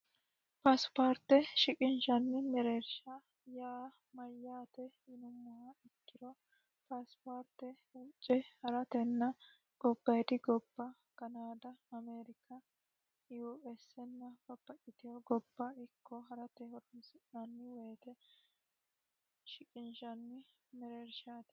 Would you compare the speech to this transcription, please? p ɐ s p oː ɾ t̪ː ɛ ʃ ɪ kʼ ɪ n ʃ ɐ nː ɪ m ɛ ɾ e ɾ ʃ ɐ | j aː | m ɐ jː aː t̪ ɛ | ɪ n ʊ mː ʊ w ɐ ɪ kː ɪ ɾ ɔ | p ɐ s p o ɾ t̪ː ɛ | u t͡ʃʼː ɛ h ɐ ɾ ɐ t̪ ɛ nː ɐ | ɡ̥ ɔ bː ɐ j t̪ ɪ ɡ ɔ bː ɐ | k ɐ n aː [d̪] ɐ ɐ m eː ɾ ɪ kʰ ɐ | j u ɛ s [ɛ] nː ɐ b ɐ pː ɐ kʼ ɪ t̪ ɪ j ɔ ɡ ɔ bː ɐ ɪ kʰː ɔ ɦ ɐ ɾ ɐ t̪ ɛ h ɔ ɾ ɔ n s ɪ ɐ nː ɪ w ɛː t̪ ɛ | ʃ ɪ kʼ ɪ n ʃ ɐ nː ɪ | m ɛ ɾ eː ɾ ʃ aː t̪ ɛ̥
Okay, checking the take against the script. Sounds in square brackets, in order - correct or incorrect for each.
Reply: correct, correct

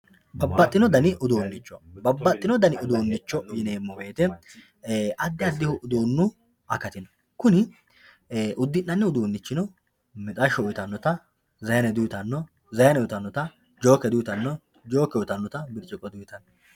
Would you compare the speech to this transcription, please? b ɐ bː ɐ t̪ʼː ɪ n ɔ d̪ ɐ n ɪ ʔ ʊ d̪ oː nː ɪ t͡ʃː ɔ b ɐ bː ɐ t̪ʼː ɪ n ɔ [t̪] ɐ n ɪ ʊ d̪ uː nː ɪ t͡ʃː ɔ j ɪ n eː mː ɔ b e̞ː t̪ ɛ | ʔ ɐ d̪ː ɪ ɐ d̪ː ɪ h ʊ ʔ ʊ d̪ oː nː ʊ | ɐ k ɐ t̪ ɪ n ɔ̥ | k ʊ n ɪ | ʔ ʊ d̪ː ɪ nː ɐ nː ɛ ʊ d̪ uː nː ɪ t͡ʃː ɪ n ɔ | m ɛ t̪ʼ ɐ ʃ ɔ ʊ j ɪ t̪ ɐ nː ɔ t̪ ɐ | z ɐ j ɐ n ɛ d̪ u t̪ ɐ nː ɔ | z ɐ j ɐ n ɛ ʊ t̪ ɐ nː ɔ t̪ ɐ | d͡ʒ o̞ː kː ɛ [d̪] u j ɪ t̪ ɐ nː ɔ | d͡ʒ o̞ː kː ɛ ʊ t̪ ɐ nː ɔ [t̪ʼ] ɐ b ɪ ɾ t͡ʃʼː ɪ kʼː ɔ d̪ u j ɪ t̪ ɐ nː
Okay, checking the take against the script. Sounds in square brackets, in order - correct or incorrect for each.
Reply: incorrect: d̪, correct, incorrect: t̪

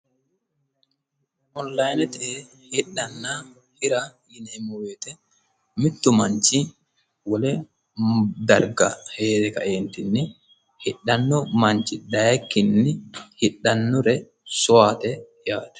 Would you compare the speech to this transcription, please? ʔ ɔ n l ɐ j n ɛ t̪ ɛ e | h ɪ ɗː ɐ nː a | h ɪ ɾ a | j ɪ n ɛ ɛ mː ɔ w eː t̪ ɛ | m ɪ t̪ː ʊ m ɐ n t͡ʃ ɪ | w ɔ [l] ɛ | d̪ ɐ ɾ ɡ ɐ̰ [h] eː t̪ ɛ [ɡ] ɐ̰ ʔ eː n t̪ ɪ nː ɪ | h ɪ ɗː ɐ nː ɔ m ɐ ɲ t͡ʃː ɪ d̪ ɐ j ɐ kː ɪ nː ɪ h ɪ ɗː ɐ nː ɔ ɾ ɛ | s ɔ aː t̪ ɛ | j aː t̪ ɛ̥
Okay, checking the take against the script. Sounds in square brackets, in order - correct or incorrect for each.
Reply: correct, correct, incorrect: k

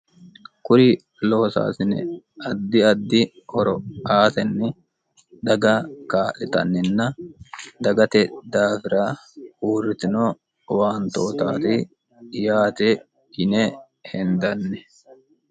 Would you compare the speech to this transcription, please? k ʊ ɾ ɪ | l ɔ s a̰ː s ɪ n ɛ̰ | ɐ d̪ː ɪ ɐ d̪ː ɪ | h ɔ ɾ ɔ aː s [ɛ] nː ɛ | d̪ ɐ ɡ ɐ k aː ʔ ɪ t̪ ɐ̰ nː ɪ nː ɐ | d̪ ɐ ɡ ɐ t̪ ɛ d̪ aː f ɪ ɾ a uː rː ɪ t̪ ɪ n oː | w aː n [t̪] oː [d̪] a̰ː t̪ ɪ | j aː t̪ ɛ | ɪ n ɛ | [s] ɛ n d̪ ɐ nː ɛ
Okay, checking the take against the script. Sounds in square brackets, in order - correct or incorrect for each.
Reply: correct, correct, incorrect: t̪, incorrect: h

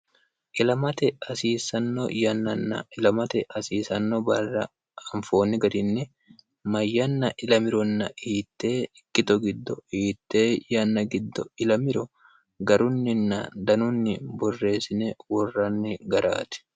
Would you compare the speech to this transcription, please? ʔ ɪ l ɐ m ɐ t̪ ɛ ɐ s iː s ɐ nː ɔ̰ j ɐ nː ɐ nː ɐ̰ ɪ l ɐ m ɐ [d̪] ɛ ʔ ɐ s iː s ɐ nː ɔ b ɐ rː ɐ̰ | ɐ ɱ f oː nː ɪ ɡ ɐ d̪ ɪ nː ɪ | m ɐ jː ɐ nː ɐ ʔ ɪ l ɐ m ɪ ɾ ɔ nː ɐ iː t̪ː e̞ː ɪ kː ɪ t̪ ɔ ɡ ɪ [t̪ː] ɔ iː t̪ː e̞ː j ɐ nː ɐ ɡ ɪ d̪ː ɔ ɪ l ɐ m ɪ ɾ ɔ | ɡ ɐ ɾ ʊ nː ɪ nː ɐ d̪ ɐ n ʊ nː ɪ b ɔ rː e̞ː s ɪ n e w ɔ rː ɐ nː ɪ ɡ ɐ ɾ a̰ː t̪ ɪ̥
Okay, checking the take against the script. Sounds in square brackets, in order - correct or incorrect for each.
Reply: incorrect: t̪, incorrect: d̪ː

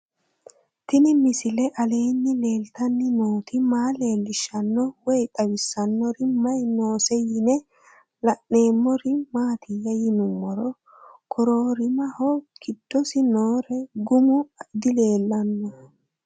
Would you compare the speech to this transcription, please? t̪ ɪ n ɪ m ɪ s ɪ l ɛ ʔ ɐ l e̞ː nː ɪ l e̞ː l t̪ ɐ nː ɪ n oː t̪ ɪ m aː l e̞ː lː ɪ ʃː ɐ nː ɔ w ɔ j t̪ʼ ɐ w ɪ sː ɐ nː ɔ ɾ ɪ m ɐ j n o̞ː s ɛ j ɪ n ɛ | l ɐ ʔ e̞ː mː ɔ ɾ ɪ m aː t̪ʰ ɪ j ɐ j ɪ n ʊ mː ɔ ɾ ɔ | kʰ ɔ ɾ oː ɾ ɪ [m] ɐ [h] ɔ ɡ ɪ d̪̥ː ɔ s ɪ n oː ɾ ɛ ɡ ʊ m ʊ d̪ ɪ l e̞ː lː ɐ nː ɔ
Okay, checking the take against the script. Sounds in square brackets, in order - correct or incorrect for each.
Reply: correct, correct

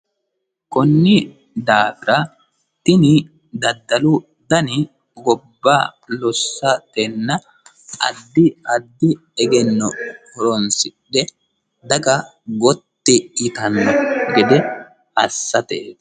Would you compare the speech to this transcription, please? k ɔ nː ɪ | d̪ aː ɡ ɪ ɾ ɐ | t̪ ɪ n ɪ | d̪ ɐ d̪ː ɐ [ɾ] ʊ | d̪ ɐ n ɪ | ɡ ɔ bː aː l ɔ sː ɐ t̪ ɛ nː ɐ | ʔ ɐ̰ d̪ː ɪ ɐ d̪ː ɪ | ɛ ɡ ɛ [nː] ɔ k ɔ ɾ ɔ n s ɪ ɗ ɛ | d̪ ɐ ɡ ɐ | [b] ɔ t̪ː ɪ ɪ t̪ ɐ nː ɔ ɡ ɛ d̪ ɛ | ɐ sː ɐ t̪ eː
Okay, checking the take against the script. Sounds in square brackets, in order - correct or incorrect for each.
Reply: incorrect: l, correct, incorrect: ɡ

